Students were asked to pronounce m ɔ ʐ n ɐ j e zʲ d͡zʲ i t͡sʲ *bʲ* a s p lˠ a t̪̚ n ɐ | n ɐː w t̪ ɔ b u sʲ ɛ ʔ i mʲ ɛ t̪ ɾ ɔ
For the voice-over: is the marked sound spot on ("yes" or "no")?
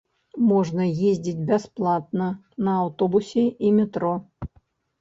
yes